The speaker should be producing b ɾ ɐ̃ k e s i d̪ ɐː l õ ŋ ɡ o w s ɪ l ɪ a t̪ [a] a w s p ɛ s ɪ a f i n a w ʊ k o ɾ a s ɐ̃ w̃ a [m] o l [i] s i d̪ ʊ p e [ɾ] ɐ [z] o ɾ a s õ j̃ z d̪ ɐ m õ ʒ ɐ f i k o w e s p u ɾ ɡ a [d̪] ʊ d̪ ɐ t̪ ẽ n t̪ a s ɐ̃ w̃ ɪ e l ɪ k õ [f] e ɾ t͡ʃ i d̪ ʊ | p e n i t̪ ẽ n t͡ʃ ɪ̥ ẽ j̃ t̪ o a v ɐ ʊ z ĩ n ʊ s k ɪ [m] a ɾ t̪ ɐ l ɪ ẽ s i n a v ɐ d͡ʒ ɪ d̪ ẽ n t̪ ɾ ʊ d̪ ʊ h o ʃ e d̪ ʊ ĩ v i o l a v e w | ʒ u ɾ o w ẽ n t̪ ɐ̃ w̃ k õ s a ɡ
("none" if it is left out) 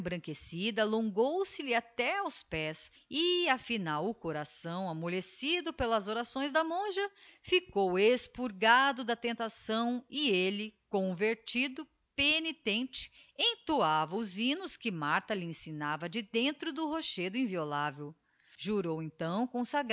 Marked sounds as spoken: ɛ, m, e, l, z, d̪, v, m

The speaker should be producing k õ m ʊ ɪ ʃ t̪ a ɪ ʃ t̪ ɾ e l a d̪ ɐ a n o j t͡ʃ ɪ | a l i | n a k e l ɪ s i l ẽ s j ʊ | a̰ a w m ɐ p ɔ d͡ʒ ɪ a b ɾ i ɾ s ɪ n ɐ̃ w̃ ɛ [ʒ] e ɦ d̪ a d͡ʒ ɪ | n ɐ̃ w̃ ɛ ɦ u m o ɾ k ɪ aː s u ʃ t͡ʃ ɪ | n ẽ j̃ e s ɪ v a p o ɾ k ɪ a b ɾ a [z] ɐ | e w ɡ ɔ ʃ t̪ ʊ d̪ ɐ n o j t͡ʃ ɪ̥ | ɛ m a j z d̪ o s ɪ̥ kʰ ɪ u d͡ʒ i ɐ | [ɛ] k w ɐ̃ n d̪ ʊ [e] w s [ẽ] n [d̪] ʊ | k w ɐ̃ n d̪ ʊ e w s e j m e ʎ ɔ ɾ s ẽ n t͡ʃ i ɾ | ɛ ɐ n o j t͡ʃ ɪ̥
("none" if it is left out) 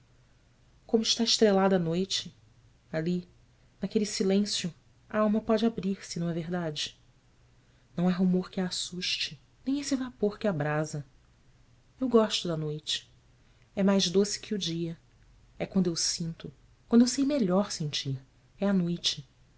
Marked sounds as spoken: v, z, ɛ, e, ĩ, t̪

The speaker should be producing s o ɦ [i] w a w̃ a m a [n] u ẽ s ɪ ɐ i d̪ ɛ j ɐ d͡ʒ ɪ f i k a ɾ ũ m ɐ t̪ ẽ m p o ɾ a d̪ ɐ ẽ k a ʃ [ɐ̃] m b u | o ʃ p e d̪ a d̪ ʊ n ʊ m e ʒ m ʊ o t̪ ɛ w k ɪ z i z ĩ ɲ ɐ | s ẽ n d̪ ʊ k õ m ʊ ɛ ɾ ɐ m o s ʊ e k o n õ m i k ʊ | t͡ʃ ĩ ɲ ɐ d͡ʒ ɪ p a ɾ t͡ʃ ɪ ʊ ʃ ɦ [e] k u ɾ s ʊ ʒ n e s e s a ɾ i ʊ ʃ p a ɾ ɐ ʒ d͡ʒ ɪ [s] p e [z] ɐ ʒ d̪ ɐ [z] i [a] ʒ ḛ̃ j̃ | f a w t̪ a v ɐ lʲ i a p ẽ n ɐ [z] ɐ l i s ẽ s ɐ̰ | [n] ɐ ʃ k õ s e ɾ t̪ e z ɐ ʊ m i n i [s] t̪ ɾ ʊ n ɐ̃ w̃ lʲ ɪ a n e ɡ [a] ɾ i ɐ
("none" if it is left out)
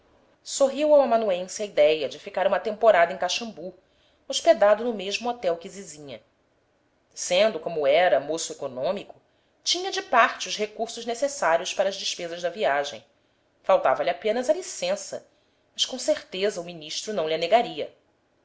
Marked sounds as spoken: i, n, ɐ̃, e, ʃ, z, v, a, z, m, ʃ, a

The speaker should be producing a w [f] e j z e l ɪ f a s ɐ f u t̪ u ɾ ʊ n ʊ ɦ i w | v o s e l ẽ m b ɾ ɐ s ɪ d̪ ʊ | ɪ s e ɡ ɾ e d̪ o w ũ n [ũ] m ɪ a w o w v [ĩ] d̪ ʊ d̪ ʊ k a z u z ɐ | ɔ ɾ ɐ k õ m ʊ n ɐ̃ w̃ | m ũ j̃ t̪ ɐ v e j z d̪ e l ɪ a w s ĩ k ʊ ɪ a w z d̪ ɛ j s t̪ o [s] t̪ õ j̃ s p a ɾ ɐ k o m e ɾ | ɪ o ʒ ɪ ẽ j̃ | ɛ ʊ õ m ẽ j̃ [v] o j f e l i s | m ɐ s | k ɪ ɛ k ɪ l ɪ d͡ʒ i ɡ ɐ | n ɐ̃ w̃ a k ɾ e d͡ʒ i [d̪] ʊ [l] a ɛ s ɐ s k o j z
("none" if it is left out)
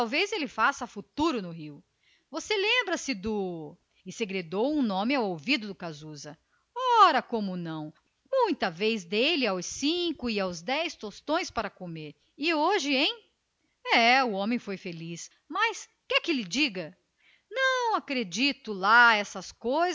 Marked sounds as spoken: v, õ, i, s, f, t̪, l

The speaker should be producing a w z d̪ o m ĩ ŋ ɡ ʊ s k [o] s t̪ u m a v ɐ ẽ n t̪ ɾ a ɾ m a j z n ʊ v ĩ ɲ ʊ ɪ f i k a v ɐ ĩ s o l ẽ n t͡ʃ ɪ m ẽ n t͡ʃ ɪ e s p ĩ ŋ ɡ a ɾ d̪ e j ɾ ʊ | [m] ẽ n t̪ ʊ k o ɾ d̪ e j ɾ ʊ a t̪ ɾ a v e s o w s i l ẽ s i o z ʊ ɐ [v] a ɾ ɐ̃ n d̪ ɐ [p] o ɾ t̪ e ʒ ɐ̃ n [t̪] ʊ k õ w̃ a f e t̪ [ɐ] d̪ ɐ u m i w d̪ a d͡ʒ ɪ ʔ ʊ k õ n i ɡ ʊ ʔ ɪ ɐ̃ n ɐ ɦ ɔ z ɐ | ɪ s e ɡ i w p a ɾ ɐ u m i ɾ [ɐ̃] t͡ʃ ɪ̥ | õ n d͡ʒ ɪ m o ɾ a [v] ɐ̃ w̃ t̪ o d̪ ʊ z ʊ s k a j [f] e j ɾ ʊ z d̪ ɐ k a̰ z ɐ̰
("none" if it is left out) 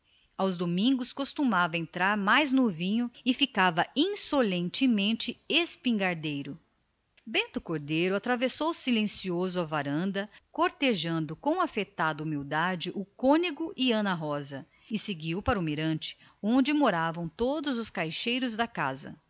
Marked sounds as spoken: o, b, v, k, d̪, a, ɐ̃, v, ʃ

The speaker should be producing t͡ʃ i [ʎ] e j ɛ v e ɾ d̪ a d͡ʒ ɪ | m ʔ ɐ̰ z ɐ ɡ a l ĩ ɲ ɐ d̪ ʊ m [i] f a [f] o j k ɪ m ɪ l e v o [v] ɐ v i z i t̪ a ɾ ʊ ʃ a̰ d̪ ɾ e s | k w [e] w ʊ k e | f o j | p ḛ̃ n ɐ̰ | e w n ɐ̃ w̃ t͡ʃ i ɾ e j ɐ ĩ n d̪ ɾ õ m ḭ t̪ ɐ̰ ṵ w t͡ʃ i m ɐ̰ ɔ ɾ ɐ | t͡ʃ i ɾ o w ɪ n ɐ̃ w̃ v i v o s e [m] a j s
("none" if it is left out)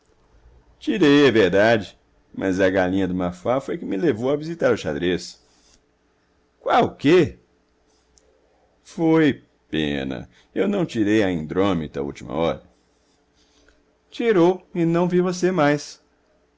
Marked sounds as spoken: ɾ, a, f, w, a, m

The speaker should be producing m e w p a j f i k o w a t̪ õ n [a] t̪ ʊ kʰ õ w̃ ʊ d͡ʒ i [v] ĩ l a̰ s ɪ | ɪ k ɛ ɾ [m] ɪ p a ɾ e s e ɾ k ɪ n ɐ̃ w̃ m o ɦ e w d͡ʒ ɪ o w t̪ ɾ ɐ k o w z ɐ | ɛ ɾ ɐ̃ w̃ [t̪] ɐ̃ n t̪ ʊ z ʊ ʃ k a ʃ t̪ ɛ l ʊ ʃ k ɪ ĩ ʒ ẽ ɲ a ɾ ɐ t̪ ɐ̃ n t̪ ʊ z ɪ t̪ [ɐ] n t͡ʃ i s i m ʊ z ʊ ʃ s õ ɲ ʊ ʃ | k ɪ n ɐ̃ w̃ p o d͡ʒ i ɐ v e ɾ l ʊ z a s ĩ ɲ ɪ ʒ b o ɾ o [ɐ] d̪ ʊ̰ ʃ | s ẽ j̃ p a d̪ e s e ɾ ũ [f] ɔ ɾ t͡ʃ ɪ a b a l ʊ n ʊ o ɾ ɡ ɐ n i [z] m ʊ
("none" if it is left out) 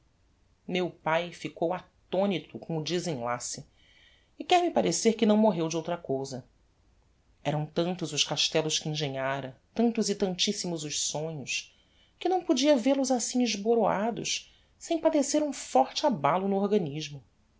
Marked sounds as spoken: i, z, m, t̪, ɐ̃, a, f, ʒ

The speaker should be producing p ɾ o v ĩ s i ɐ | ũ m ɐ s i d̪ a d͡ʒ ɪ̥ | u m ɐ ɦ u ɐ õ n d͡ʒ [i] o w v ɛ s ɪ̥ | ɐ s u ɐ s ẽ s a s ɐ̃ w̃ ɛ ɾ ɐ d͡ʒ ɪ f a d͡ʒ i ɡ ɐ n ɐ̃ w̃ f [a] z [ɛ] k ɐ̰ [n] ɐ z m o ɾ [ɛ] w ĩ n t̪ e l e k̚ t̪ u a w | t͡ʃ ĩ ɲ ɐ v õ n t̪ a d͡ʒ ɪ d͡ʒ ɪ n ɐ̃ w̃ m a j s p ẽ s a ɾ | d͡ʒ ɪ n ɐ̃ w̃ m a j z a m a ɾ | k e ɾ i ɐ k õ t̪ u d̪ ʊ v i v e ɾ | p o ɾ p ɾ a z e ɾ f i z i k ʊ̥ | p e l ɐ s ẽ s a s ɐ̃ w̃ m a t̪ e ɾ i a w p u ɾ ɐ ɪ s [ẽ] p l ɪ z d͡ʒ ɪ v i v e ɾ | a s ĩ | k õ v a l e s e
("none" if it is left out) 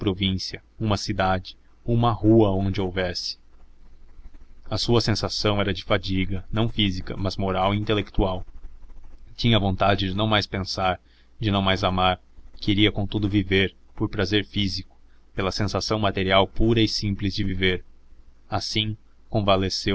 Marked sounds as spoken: ɪ, i, i, m, a, ĩ

